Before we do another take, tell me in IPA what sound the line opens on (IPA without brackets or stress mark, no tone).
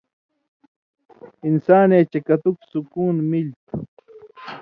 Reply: i